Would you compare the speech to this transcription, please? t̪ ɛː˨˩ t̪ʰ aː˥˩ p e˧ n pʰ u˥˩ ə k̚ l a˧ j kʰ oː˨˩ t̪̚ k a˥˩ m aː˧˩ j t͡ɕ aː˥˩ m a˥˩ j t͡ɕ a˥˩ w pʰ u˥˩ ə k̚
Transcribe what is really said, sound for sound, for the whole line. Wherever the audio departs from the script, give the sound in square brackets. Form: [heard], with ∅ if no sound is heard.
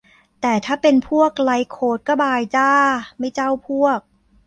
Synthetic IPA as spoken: t̪ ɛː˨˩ t̪ʰ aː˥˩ p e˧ n pʰ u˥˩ ə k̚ l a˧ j kʰ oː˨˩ t̪̚ k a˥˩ [b] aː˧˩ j t͡ɕ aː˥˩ m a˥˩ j t͡ɕ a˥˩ w pʰ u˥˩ ə k̚